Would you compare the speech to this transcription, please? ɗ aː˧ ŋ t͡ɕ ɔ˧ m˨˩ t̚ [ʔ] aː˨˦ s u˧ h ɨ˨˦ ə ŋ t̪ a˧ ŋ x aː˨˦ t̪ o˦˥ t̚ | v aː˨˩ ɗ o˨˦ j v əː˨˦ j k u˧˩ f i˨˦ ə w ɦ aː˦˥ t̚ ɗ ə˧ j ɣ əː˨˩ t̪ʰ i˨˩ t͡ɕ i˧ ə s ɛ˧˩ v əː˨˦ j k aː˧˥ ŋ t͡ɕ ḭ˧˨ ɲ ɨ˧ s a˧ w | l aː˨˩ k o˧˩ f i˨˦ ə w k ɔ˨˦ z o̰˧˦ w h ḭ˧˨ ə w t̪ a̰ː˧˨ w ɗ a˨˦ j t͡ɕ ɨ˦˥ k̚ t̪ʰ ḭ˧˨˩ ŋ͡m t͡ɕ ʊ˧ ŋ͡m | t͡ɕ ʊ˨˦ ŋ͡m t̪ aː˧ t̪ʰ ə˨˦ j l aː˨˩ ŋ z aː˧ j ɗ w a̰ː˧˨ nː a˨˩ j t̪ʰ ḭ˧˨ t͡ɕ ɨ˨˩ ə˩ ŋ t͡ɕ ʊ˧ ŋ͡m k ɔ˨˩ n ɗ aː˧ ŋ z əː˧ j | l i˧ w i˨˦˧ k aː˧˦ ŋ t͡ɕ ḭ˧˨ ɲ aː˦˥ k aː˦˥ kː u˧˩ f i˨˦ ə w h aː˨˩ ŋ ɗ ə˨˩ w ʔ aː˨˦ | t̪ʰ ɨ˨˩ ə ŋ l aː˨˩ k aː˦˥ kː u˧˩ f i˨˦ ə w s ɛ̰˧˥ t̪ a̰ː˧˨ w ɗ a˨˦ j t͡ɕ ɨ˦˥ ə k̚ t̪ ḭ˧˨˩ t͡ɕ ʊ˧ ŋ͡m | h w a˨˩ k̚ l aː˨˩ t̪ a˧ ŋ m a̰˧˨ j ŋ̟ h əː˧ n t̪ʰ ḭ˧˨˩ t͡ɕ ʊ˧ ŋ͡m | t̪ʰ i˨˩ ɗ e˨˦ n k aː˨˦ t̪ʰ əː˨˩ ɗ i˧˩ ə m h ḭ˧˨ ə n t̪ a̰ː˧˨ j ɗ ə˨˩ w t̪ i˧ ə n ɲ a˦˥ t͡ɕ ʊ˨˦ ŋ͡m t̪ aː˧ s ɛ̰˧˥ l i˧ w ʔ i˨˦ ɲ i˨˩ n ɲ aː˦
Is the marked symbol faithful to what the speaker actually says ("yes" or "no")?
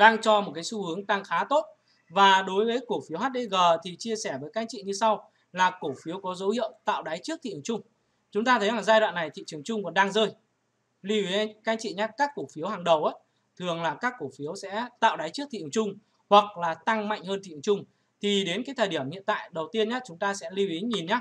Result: no